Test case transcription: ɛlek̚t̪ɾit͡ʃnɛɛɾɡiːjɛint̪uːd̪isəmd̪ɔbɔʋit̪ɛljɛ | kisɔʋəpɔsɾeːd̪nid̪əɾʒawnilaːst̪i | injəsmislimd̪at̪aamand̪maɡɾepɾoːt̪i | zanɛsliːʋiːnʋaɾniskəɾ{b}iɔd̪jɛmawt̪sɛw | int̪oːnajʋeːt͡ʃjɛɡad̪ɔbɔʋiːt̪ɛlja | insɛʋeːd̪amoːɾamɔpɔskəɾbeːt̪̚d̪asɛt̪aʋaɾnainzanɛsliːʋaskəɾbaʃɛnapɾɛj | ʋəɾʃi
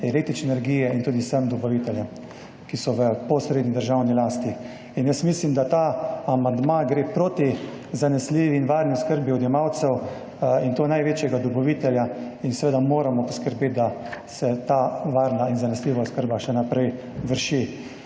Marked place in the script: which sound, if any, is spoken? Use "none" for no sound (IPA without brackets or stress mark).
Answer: b